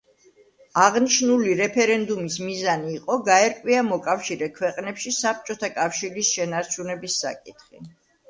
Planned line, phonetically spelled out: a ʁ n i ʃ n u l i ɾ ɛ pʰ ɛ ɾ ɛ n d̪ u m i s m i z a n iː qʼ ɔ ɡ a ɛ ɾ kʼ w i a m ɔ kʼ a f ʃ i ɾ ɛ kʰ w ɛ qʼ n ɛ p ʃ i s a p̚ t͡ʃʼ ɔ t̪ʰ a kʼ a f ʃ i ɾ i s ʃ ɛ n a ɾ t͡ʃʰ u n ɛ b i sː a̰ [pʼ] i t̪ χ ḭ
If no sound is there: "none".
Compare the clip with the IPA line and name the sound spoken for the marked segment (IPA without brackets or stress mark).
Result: kʼ